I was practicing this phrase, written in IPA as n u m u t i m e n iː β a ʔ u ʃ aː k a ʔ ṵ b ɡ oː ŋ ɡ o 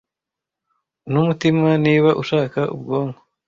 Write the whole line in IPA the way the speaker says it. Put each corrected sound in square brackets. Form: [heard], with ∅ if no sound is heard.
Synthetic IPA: n u m u t i m [a] n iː β a ʔ u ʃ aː k a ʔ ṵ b ɡ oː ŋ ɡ o